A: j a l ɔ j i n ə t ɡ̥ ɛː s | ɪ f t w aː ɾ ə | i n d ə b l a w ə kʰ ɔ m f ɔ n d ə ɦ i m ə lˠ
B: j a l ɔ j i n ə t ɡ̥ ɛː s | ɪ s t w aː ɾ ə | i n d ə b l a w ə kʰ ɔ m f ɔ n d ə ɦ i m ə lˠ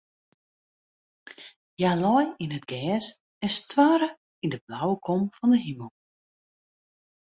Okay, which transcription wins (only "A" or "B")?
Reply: B